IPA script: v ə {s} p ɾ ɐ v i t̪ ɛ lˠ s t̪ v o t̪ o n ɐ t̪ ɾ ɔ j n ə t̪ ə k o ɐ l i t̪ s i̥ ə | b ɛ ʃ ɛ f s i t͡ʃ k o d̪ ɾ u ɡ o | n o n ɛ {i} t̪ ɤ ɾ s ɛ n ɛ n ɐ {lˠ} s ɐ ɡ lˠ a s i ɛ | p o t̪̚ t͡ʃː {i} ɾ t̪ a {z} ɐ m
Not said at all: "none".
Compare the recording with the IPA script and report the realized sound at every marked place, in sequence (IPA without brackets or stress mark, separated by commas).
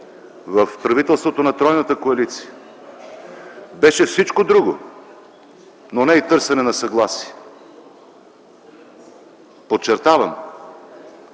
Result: f, i, none, ɛ, v